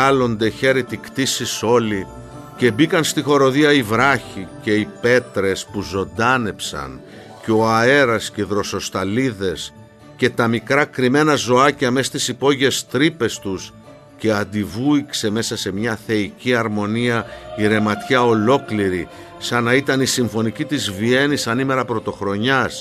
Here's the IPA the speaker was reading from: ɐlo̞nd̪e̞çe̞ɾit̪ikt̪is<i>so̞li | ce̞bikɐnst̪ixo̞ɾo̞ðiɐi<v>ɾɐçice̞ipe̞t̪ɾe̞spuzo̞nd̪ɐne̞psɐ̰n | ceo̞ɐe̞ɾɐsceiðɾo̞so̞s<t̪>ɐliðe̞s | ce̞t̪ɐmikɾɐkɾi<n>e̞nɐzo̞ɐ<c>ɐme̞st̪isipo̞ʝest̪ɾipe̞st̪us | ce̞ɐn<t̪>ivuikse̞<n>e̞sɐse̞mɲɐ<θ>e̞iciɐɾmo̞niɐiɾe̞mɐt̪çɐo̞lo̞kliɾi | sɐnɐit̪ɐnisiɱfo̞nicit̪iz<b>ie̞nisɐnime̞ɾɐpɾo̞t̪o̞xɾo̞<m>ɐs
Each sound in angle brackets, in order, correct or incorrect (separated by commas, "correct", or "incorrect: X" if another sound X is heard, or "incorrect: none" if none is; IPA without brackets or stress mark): correct, correct, correct, incorrect: m, correct, incorrect: d̪, incorrect: m, correct, incorrect: v, incorrect: ɲ